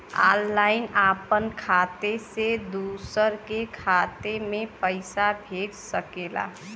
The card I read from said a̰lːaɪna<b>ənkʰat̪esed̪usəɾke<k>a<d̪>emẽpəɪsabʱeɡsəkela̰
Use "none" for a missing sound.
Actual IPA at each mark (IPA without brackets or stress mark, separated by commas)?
p, kʰ, t̪